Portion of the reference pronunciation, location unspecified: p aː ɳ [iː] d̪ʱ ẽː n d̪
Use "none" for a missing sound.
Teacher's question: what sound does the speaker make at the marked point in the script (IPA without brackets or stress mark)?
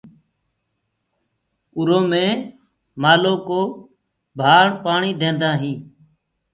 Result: iː